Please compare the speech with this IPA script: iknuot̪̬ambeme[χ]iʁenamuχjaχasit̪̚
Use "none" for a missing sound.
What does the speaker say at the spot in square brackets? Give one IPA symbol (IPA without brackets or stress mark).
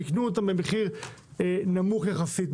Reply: χ